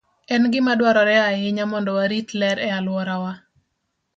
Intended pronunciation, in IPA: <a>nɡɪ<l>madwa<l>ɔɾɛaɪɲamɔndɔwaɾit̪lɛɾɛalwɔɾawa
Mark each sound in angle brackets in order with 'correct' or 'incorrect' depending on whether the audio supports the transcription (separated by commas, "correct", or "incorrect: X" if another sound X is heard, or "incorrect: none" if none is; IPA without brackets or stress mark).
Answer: incorrect: ɛ, incorrect: none, incorrect: ɾ